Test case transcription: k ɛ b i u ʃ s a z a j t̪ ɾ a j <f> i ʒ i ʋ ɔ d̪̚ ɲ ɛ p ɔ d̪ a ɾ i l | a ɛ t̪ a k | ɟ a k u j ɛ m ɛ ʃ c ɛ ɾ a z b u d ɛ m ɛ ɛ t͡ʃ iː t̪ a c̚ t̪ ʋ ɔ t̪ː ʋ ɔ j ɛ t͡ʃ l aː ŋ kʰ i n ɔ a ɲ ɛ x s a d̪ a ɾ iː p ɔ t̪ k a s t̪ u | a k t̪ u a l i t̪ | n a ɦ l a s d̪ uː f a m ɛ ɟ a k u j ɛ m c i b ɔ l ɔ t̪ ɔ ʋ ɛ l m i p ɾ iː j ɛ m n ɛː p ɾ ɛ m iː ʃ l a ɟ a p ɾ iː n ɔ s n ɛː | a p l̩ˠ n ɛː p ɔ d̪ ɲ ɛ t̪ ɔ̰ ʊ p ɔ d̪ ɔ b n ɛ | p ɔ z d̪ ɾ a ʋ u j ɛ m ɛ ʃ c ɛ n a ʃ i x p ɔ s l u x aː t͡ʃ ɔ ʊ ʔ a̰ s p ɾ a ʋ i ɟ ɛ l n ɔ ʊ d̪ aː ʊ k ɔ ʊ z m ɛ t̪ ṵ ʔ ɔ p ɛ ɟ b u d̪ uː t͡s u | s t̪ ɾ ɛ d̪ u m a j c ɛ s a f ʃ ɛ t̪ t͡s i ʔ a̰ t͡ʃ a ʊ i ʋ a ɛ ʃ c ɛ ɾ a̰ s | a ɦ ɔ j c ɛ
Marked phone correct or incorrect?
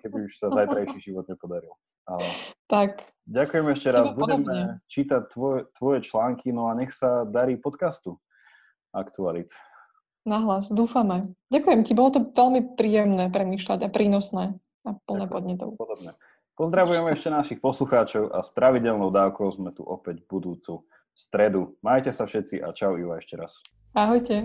incorrect